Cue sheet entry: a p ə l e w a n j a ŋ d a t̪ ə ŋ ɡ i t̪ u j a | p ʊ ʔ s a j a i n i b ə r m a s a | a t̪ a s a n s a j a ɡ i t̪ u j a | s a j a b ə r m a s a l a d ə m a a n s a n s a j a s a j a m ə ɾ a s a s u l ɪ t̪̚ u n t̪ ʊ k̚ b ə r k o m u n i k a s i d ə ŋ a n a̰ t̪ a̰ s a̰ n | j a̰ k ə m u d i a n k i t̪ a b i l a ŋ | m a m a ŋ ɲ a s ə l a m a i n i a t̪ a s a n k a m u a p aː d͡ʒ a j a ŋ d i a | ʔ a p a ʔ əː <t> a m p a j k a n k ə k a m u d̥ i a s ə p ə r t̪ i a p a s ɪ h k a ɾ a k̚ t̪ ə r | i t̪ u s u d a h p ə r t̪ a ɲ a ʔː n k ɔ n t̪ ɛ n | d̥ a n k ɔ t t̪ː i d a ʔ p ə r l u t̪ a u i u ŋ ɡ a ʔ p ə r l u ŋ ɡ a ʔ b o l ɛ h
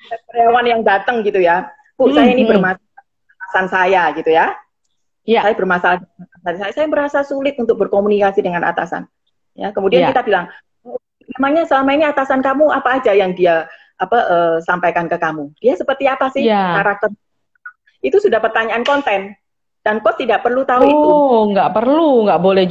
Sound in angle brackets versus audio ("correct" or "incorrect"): incorrect